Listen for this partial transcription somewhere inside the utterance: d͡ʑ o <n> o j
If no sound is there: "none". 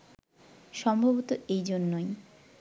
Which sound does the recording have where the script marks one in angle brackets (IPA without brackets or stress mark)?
nː